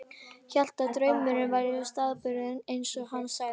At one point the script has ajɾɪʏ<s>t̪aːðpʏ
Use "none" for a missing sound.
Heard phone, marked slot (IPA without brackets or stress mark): s